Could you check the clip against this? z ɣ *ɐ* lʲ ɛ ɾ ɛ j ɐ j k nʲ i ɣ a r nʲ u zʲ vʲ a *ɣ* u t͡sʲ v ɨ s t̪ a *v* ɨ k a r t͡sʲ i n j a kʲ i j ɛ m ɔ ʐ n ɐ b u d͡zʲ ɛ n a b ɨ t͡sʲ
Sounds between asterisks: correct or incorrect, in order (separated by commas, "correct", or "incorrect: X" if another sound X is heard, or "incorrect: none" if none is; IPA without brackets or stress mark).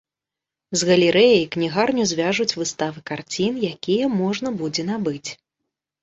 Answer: correct, incorrect: ʐ, correct